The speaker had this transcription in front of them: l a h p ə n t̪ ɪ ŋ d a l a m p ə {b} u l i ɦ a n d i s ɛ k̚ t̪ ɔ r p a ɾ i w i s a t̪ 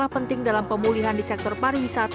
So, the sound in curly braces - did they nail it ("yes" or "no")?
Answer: no